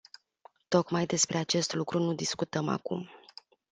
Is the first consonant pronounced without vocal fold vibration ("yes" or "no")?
yes